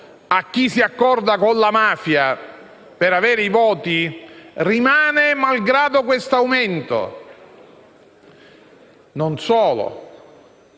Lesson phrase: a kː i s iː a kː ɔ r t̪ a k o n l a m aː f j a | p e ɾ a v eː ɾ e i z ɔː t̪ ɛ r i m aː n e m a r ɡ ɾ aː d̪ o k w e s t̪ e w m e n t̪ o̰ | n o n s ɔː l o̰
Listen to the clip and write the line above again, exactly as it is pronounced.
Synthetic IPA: a kː i s i a kː ɔ r d̪ a k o n l a m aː f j a | p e ɾ a v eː ɾ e i v ɔː t̪ i r i m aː n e m a l ɡ ɾ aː d̪ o k w e s t̪ a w m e n t̪ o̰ | n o n s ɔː l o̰